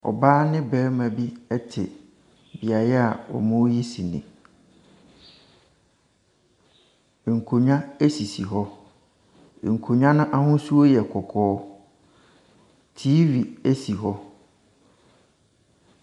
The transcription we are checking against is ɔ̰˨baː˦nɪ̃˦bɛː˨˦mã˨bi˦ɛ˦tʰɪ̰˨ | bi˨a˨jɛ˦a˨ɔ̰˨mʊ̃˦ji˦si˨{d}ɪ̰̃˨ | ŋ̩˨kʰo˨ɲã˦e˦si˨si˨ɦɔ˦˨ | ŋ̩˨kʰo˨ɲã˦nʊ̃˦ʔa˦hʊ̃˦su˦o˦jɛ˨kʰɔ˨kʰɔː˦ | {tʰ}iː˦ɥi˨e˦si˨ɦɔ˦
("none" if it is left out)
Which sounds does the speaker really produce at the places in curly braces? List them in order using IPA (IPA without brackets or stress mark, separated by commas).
n, tʰ